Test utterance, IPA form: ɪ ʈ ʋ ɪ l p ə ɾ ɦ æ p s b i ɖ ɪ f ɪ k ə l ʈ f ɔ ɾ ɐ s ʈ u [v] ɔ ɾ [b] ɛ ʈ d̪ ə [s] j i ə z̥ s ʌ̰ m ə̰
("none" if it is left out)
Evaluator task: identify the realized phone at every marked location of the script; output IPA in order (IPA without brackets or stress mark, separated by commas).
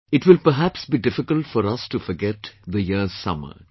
f, ɡ, none